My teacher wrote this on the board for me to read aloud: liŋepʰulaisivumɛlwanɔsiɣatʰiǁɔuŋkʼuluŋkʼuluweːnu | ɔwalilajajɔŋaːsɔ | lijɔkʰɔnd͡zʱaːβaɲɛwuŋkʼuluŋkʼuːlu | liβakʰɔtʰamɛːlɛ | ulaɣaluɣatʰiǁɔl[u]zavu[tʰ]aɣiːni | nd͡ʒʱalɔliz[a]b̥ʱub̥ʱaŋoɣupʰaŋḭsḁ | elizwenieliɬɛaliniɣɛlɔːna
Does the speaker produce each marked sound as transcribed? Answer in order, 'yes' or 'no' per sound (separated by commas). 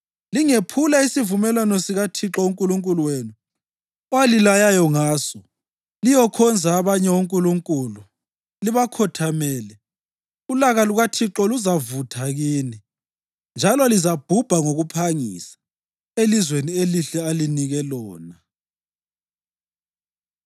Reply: yes, yes, yes